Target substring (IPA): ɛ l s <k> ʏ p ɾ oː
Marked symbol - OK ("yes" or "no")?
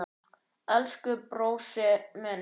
yes